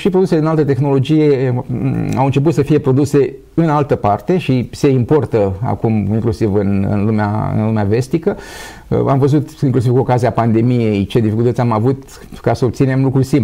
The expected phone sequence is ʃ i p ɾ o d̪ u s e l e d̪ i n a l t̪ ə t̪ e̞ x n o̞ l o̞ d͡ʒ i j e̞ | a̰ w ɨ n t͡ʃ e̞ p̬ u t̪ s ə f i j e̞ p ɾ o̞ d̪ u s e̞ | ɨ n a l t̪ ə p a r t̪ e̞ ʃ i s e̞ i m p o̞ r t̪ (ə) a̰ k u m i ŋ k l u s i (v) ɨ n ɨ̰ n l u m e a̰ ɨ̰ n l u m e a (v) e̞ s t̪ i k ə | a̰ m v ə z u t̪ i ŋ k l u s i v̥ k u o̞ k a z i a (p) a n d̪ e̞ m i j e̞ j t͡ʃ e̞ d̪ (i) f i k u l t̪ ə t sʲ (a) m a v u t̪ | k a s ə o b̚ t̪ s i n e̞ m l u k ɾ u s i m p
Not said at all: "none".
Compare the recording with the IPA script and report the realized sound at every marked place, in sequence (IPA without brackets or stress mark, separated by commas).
ə, v, v, p, i, a